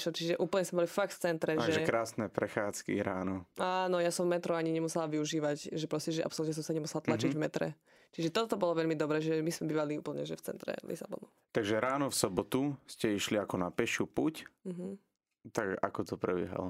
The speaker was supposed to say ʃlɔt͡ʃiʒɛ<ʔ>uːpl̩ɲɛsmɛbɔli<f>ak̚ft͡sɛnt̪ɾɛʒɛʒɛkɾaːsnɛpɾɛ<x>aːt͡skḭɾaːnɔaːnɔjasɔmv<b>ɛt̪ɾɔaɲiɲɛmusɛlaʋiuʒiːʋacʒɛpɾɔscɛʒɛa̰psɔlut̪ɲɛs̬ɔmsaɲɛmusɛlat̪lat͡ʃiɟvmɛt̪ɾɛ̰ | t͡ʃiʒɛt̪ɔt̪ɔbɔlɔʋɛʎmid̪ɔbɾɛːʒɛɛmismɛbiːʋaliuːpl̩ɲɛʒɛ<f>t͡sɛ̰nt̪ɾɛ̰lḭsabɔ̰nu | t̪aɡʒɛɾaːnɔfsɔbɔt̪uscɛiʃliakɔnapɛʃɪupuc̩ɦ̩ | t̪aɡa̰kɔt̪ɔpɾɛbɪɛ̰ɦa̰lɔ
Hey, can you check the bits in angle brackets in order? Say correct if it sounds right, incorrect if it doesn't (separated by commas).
correct, correct, correct, incorrect, correct